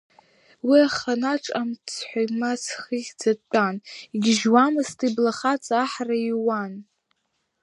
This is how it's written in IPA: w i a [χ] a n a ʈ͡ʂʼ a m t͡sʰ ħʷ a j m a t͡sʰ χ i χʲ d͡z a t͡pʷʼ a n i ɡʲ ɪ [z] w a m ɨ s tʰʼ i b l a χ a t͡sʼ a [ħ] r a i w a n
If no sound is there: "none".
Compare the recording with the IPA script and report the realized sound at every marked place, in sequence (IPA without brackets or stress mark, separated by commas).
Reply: χ, ʒ, ħ